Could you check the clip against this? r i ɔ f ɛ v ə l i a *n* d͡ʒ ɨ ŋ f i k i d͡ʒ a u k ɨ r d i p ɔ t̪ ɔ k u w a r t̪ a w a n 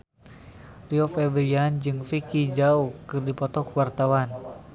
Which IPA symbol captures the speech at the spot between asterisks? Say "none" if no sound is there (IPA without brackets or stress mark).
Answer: n